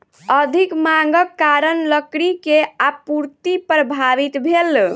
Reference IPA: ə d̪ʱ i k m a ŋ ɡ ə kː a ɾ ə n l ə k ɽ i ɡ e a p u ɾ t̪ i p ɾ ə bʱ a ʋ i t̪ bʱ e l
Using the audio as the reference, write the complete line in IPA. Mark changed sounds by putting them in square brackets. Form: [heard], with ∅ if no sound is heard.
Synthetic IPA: ə d̪ʱ i k m a ŋ ɡ ə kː a ɾ ə n l ə k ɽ i [k] e a p u ɾ t̪ i p ɾ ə bʱ a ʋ i t̪ bʱ e l